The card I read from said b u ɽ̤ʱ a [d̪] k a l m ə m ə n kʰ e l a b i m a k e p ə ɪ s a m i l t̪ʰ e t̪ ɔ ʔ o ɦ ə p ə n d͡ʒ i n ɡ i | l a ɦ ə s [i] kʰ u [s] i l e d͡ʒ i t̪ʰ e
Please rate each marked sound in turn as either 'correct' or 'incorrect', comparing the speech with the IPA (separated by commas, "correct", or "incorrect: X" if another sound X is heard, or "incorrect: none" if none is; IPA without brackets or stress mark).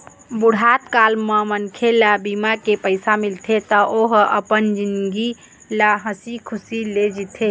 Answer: incorrect: t̪, correct, correct